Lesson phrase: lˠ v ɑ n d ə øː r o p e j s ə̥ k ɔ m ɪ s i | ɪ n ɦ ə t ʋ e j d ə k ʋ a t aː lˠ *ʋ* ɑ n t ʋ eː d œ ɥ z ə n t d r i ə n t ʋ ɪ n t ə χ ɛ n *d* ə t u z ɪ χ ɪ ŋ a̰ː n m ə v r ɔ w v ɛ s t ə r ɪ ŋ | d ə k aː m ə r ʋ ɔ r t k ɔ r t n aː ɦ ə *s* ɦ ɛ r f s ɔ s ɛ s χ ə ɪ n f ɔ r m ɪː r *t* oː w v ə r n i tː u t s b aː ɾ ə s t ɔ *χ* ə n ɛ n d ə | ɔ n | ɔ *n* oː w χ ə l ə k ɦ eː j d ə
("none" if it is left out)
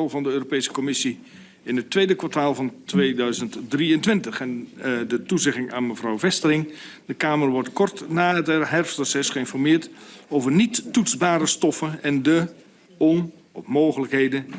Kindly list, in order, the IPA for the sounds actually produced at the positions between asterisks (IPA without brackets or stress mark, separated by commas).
v, d, t, t, f, m